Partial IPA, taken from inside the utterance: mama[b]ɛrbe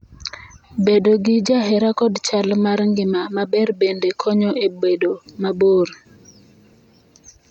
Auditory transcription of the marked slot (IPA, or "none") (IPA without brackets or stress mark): b